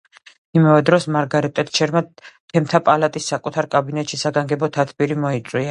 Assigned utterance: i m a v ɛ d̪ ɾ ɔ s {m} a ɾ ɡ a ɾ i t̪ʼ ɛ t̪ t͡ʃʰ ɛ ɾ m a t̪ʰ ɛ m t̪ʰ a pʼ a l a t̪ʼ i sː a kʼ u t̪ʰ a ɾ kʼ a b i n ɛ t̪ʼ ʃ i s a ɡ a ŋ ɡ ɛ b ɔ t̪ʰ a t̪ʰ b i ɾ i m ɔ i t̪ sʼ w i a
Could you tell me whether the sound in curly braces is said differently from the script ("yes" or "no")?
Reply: no